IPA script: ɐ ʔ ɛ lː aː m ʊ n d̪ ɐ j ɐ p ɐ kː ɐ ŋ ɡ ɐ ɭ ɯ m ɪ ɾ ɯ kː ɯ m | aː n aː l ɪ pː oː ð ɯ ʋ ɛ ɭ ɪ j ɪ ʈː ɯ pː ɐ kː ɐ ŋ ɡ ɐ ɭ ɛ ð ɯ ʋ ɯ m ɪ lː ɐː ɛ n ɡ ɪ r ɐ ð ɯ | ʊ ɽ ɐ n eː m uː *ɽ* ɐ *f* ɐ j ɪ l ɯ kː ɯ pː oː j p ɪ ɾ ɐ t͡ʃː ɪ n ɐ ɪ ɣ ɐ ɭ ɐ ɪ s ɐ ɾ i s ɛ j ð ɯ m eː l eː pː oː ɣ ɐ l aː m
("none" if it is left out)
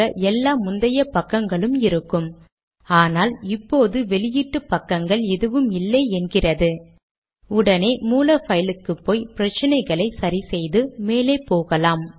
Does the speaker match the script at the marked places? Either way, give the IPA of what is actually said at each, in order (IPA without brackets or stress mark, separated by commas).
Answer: l, f